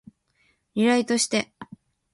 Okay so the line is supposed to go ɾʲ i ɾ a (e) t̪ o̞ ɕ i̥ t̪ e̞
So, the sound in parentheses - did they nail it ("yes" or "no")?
no